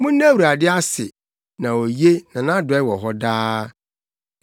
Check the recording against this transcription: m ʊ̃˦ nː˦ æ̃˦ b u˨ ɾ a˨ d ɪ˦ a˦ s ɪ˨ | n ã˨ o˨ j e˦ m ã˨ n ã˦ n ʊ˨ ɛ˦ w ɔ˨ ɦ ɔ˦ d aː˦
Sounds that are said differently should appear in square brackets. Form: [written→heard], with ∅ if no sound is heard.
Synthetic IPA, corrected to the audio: m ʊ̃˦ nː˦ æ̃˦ [b→w] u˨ ɾ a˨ d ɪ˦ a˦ s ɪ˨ | n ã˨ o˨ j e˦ [m→n] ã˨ n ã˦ [n→d] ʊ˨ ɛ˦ w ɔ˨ ɦ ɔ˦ d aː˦